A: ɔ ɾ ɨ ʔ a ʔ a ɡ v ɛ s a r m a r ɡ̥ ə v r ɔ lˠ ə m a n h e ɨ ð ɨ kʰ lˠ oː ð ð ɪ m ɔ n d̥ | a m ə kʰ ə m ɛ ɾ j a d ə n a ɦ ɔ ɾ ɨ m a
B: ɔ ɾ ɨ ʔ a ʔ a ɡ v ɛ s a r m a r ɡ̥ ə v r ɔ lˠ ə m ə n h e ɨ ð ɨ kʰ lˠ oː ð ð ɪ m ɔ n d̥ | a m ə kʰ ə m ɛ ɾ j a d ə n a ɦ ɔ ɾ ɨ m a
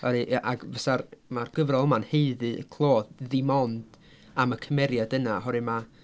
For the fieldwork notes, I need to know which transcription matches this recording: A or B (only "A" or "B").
A